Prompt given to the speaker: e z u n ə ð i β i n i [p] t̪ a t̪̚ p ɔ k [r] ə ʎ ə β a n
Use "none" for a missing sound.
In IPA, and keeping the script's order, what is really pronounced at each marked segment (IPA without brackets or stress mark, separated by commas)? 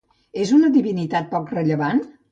none, r